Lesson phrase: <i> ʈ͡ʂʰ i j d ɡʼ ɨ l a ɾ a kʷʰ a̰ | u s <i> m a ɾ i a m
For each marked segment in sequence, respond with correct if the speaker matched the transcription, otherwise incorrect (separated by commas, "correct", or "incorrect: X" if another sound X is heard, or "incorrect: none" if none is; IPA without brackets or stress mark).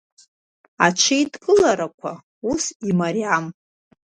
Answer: incorrect: a, correct